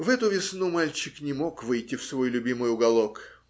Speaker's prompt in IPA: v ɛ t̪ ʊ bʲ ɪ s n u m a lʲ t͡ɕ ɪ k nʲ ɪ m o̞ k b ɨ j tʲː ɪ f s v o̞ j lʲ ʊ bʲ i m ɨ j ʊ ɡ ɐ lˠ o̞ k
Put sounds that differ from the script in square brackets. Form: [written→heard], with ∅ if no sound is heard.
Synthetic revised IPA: v ɛ t̪ ʊ [bʲ→vʲ] ɪ s n u m a lʲ t͡ɕ ɪ k nʲ ɪ m o̞ k [b→v] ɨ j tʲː ɪ f s v o̞ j lʲ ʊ bʲ i m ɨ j ʊ ɡ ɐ lˠ o̞ k